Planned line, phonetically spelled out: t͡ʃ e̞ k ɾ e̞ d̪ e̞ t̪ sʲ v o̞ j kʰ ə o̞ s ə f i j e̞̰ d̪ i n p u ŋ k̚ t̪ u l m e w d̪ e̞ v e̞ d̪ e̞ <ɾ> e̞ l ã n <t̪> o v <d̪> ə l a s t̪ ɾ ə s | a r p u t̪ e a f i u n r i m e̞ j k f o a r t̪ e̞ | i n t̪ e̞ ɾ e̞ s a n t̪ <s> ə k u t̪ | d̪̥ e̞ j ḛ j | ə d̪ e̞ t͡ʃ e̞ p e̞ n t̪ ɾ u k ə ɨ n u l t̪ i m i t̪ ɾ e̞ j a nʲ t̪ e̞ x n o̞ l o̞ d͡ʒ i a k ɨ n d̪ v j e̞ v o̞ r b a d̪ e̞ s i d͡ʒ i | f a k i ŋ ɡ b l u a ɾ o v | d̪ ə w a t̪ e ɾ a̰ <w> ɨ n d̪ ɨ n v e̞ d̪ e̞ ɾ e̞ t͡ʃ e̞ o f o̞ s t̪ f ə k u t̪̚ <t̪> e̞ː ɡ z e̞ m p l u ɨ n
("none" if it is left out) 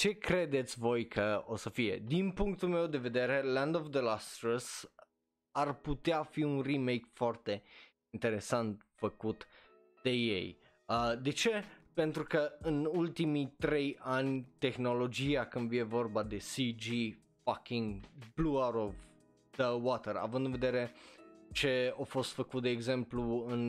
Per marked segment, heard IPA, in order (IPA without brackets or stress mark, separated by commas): ɾ, d̪, d̪, f, v, d̪